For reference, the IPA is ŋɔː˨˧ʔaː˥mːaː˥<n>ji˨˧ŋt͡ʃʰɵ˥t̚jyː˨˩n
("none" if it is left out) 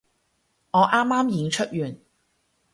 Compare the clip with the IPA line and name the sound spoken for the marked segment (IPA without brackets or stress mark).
m